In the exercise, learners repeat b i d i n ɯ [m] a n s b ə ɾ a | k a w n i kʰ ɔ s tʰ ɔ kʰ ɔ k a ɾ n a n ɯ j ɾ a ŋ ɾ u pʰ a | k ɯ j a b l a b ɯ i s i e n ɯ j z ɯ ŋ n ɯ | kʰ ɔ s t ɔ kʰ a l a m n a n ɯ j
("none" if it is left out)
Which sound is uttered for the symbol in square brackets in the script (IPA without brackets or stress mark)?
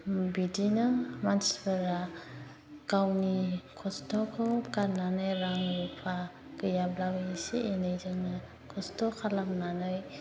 m